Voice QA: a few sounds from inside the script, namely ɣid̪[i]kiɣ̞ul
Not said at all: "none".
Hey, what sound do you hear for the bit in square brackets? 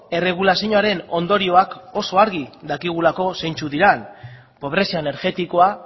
a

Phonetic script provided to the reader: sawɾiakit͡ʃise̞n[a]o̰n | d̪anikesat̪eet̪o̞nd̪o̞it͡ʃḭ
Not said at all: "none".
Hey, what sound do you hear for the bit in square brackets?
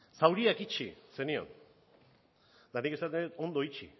i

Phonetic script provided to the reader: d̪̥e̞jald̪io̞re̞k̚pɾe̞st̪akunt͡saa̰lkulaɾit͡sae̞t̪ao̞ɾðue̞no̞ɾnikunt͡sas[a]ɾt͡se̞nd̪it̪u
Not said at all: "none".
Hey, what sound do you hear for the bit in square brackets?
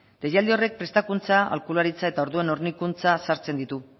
a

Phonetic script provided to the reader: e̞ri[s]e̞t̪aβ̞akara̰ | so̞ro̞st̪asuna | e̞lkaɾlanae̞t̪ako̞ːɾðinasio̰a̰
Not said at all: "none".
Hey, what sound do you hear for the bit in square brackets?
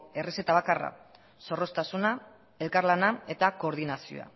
s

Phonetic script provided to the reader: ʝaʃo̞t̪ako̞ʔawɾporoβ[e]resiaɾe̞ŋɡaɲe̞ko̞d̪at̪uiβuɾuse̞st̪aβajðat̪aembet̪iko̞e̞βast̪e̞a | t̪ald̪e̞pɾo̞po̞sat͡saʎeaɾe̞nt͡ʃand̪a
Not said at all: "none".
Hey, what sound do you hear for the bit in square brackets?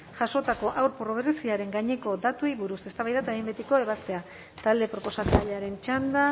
e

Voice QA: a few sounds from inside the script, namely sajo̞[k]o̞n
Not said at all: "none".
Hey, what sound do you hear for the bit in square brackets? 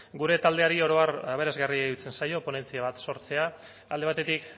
p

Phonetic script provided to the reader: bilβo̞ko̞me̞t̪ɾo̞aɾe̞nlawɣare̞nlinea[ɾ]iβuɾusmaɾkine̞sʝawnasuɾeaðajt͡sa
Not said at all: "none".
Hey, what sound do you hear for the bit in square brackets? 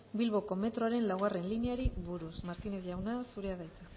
ɾ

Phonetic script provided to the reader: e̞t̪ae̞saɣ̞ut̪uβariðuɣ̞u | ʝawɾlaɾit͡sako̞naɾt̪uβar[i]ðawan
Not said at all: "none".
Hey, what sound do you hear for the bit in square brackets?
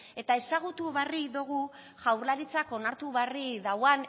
i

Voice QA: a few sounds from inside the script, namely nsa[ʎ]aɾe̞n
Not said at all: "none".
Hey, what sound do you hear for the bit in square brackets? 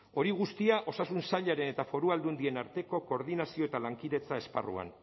ʎ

